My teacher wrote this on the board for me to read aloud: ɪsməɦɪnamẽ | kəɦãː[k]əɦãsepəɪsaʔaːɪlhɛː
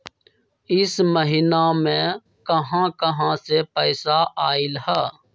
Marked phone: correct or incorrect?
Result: correct